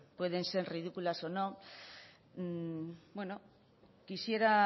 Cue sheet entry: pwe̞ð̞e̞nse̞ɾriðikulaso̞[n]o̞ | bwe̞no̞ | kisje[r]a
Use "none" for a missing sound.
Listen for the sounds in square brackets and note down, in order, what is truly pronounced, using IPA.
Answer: n, ɾ

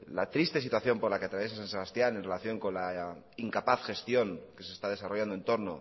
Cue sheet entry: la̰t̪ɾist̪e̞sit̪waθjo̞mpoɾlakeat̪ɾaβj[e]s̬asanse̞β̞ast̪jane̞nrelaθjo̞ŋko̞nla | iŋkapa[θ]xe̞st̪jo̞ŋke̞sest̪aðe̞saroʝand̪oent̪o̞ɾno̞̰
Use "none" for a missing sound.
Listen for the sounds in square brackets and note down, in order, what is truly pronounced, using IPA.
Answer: e, θ

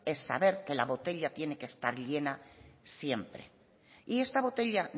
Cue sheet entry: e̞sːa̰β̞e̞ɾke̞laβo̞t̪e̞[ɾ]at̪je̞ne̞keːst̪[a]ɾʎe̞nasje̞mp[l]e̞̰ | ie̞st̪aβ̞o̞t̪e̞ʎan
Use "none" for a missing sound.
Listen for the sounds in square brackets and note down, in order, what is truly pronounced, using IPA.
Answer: ʎ, a, ɾ

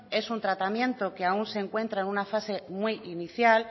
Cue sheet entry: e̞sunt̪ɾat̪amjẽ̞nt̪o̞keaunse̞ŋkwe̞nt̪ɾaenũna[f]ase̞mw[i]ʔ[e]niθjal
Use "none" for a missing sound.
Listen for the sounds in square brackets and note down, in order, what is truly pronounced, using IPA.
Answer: f, i, i

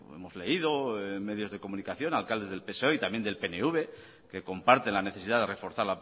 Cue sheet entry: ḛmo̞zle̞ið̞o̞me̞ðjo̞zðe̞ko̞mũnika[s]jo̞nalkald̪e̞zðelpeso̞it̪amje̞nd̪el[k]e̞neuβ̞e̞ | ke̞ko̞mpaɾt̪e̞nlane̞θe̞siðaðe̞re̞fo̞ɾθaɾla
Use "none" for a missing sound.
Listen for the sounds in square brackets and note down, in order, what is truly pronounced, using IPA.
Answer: θ, p

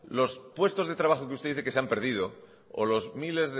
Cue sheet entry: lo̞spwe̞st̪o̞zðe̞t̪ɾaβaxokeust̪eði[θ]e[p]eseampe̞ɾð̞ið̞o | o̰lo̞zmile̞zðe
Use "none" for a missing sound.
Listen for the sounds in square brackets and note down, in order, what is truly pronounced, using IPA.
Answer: θ, k

